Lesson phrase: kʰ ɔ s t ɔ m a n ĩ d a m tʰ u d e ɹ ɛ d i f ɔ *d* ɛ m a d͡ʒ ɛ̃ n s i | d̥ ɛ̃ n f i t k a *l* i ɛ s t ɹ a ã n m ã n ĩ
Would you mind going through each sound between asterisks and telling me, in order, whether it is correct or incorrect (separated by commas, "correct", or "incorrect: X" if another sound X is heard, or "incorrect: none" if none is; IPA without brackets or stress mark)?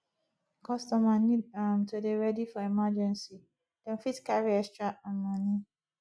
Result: incorrect: none, incorrect: ɹ